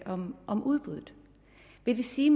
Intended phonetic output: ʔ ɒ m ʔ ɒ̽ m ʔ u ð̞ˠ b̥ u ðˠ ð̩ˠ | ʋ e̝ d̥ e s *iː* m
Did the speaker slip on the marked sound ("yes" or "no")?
no